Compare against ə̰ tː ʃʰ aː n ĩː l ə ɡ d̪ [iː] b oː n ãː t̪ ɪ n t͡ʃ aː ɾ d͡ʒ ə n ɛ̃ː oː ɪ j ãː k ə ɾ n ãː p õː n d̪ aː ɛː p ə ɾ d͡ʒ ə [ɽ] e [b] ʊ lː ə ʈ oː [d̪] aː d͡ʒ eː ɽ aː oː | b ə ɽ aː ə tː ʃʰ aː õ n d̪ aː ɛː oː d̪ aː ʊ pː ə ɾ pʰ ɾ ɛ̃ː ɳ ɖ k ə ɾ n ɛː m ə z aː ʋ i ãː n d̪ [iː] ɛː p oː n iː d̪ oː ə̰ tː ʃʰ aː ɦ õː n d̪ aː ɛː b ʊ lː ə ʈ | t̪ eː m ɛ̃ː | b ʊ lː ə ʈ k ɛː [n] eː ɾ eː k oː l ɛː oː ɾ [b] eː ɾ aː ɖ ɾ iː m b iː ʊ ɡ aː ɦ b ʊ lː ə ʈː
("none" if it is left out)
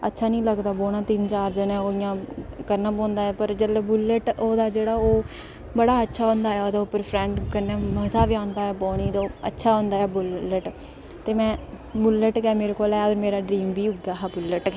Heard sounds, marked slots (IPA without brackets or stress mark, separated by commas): aː, l, b, d̪, aː, m, m